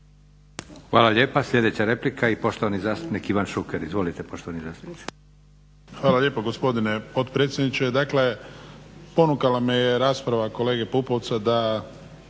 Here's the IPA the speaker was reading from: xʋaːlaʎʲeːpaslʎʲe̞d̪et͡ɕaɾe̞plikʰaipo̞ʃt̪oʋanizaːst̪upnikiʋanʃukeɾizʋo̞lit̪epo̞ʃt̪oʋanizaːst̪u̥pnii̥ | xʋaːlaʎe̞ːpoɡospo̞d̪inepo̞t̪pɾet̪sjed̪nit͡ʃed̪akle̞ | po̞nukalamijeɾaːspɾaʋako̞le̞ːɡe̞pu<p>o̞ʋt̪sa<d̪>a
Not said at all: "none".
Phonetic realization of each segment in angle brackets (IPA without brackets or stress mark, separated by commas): p, d̪